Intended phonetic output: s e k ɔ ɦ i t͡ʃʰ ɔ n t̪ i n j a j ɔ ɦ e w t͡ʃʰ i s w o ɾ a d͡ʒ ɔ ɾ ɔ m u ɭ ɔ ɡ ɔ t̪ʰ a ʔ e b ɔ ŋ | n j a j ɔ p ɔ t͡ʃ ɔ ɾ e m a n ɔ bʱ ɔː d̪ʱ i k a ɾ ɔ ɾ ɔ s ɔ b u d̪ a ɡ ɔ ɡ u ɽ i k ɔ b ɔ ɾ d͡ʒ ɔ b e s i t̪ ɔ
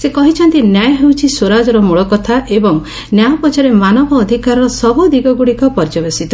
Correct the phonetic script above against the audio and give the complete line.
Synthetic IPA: s e k ɔ ɦ i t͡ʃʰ ɔ n t̪ i n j a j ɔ ɦ e w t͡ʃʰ i s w o ɾ a d͡ʒ ɔ ɾ ɔ m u ɭ ɔ k ɔ t̪ʰ a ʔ e b ɔ ŋ | n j a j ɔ p ɔ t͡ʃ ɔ ɾ e m a n ɔ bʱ ɔː d̪ʱ i k a ɾ ɔ ɾ ɔ s ɔ b u d̪ i ɡ ɔ ɡ u ɽ i k ɔ p ɔ ɾ d͡ʒ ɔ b e s i t̪ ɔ

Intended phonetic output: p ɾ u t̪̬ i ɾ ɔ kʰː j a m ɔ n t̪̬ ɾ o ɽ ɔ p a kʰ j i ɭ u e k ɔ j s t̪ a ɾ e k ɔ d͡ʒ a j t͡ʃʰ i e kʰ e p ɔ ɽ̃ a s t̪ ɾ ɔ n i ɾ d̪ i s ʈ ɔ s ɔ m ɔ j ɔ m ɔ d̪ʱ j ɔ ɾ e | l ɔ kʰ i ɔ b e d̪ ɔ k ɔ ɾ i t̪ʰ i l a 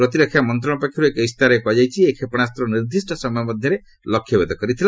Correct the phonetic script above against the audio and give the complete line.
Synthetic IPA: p ɾ ɔ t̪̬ i ɾ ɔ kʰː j a m ɔ n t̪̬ ɾ ɔ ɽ ɔ p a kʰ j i ɾ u e k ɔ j s t̪ a ɾ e k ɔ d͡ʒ a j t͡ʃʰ i e kʰ e p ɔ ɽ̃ a s t̪ ɾ ɔ n i ɾ d̪ i s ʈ ɔ s ɔ m ɔ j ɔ m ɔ d̪ʱ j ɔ ɾ e | l ɔ kʰ j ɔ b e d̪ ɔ k ɔ ɾ i t̪ʰ i l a

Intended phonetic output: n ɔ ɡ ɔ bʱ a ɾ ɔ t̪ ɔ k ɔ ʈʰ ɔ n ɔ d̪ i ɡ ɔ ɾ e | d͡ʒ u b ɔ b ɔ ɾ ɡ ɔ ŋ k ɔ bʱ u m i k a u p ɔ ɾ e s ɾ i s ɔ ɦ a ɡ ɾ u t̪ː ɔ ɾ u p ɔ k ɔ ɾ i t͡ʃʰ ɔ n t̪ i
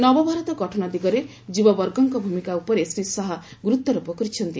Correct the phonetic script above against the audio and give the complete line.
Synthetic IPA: n ɔ b ɔ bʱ a ɾ ɔ t̪ ɔ ɡ ɔ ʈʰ ɔ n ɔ d̪ i ɡ ɔ ɾ e | d͡ʒ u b ɔ b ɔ ɾ ɡ ɔ ŋ k ɔ bʱ u m i k a u p ɔ ɾ e s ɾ i s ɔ ɦ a ɡ ɾ u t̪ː ɔ ɾ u p ɔ k ɔ ɾ i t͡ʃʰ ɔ n t̪ i

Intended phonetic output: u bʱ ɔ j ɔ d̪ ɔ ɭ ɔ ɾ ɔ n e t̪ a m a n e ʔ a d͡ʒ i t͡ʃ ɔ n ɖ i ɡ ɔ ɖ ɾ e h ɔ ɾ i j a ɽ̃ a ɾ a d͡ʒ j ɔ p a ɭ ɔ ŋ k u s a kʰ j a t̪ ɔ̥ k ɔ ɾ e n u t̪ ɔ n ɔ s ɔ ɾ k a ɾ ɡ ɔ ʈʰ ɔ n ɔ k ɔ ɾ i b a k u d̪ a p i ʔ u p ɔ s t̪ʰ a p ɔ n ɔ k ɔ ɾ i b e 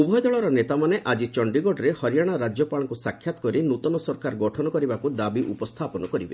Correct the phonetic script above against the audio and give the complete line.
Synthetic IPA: u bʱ ɔ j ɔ d̪ ɔ ɭ ɔ ɾ ɔ n e t̪ a m a n e ʔ a d͡ʒ i t͡ʃ ɔ ɳ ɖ i ɡ ɔ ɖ ɾ e h ɔ ɾ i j a ɽ̃ a ɾ a d͡ʒ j ɔ p a ɭ ɔ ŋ k u s a kʰ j a t̪ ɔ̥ k ɔ ɾ i n u t̪ ɔ n ɔ s ɔ ɾ k a ɾ ɡ ɔ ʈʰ ɔ n ɔ k ɔ ɾ i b a k u d̪ a b i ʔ u p ɔ s t̪ʰ a p ɔ n ɔ k ɔ ɾ i b e

